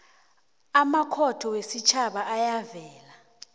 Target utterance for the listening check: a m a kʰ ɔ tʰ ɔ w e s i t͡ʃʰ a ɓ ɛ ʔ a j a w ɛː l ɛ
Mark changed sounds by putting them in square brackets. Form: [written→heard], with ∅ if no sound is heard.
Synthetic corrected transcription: a m a kʰ ɔ tʰ ɔ w e s i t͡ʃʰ a ɓ [ɛ→a] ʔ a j a [w→v] ɛː l [ɛ→a]